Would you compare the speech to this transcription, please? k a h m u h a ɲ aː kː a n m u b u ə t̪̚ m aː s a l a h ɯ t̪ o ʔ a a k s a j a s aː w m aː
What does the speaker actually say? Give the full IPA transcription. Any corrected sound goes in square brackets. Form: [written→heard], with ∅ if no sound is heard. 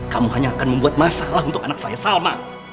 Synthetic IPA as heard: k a [h→∅] m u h a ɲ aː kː a n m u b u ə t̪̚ m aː s a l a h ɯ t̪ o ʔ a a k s a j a s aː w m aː

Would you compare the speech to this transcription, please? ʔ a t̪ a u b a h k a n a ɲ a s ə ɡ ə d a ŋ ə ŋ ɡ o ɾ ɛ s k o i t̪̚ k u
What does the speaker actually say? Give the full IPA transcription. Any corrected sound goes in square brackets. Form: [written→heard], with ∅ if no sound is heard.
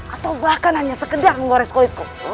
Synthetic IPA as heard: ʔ a t̪ a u b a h k a n a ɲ a s ə [ɡ→k] ə d a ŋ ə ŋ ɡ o ɾ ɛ s k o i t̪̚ k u

